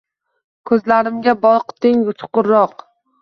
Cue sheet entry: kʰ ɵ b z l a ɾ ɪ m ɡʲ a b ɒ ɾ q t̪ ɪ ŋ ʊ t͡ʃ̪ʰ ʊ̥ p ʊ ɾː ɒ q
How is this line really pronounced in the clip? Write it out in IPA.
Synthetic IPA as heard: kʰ ɵ z l a ɾ ɪ m ɡʲ a b ɒ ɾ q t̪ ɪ ŋ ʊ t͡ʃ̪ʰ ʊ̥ q ʊ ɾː ɒ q